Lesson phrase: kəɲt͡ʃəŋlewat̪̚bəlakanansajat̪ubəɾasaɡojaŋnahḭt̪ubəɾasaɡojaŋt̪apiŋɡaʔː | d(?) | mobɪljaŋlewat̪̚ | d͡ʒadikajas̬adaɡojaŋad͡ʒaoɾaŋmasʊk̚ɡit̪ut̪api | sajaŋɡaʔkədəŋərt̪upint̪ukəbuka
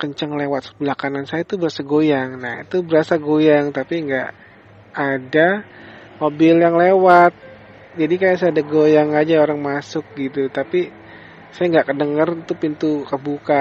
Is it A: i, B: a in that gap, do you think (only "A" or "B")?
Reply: B